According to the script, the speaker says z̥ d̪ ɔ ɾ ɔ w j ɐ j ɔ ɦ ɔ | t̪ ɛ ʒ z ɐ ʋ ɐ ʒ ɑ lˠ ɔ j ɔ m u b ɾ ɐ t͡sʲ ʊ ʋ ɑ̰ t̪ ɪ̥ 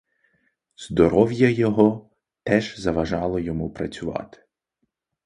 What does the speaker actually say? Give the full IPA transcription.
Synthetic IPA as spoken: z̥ d̪ ɔ ɾ ɔ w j ɐ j ɔ ɦ ɔ | t̪ ɛ ʒ z ɐ ʋ ɐ ʒ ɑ lˠ ɔ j ɔ m u p ɾ ɐ t͡sʲ ʊ ʋ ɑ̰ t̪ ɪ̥